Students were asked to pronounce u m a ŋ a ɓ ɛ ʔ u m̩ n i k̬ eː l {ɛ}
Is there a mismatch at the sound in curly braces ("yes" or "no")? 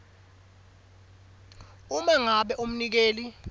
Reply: yes